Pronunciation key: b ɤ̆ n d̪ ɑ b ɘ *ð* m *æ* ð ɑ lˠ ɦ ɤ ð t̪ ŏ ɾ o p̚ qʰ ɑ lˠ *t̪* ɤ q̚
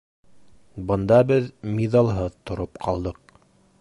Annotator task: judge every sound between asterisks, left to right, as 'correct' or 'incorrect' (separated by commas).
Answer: correct, incorrect, incorrect